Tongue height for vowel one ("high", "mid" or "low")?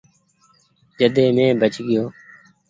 mid